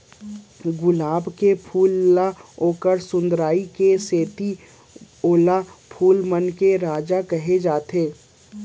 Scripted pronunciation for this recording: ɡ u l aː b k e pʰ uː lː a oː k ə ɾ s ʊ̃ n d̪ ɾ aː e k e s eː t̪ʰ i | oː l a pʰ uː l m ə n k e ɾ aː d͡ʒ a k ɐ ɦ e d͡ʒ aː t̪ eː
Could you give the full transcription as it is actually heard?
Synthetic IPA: ɡ ʊ l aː b k e pʰ uː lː a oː k ə ɾ s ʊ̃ n d̪ ɾ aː i k e s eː t̪ i | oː l a pʰ uː l m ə n k e ɾ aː d͡ʒ a k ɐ ɦ e d͡ʒ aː t̪ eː